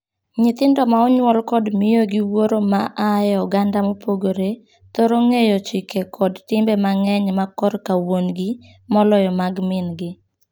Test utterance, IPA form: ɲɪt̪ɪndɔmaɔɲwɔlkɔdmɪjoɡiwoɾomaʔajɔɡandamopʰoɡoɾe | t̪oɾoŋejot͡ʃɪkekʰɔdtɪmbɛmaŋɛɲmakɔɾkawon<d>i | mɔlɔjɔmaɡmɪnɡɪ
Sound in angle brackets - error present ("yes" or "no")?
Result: yes